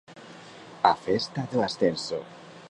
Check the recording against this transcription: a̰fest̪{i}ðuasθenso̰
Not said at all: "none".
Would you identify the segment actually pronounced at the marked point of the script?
a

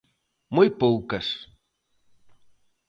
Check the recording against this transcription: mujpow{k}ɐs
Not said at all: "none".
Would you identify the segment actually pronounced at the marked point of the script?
k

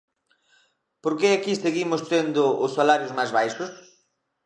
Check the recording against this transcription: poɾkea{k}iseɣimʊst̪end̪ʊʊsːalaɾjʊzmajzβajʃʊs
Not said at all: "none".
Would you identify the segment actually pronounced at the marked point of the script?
k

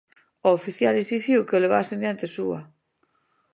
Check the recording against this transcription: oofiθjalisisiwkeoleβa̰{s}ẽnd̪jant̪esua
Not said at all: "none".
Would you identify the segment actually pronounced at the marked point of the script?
s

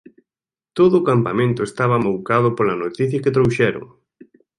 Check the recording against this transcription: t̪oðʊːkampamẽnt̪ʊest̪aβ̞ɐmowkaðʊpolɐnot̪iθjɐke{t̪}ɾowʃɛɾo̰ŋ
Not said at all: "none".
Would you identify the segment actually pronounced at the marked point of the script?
t̪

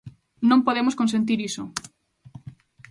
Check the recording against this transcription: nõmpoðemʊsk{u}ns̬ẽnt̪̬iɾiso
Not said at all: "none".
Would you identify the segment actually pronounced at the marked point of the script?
o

